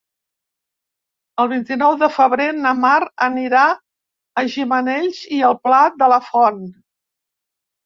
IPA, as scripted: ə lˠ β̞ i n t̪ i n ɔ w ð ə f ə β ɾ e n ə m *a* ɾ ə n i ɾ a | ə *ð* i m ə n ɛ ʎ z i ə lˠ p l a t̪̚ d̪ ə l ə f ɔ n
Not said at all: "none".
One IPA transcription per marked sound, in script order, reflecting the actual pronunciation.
a, ʒ

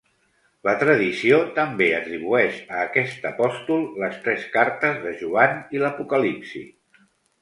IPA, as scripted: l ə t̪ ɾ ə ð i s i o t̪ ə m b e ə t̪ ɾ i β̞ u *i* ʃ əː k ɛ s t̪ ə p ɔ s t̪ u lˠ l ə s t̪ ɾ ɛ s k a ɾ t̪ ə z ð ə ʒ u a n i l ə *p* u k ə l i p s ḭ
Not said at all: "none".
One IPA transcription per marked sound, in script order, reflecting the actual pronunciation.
ɛ, p

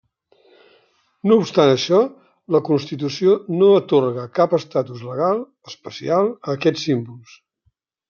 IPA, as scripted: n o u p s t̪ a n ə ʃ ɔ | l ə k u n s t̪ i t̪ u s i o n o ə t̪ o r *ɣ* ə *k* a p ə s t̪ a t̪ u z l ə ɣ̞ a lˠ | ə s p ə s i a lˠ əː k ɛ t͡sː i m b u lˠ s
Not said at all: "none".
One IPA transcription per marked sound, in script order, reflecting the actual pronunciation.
ɣ, k

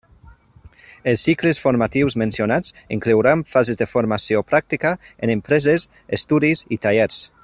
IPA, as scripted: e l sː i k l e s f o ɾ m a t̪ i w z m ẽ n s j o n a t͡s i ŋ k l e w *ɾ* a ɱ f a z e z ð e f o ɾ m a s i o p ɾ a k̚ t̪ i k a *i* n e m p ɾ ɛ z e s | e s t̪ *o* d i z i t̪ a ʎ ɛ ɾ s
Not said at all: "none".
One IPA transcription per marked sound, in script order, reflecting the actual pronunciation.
ɾ, e, u

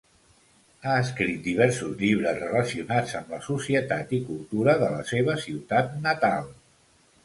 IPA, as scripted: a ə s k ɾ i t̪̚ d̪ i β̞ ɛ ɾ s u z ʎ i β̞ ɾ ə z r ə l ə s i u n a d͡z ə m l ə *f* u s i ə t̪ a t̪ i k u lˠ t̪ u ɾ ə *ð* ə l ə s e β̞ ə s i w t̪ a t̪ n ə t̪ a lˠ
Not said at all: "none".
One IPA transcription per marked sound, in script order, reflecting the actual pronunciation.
s, ð

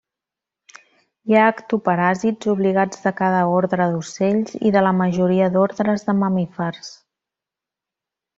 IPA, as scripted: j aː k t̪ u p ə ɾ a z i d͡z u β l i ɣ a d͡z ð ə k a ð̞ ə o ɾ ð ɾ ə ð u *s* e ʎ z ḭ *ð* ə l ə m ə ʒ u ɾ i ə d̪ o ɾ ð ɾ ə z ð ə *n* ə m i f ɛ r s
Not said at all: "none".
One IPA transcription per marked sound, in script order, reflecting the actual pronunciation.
s, ð, m

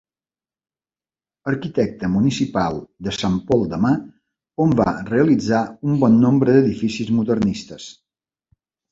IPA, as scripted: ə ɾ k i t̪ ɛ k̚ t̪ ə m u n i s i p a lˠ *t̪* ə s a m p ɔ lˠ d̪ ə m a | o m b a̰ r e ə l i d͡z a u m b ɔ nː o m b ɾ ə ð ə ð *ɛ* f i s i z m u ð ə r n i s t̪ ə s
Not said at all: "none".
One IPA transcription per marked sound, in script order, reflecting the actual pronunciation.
d̪, i

